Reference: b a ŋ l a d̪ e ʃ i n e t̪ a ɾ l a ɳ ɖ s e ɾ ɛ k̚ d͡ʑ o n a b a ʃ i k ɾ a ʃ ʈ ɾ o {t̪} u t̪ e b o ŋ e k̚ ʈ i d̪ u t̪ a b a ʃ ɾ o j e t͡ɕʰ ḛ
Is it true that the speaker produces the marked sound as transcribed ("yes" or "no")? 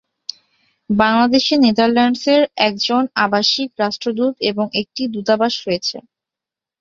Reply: no